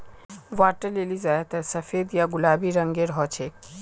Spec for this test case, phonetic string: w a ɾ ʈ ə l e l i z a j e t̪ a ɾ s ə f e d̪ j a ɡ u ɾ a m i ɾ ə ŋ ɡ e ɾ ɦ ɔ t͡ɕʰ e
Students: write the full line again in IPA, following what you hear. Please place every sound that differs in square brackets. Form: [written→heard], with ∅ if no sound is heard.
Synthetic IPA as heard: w a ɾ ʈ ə l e l i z a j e t̪ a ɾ s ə f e d̪ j a ɡ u [ɾ→l] a [m→b] i ɾ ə ŋ ɡ e ɾ ɦ ɔ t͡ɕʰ e